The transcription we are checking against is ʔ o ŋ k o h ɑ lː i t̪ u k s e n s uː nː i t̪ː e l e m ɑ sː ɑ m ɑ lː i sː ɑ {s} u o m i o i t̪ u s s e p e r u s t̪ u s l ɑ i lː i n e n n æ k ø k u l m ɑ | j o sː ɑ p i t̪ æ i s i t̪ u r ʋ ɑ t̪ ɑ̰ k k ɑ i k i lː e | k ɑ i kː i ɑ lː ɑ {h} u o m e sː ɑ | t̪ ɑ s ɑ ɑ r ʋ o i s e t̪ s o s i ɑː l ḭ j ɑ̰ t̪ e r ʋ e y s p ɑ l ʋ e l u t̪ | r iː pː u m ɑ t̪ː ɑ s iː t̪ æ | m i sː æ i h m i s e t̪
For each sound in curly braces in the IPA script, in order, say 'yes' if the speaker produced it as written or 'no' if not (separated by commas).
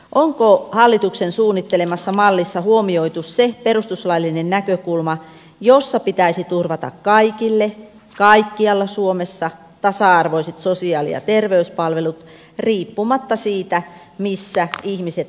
no, no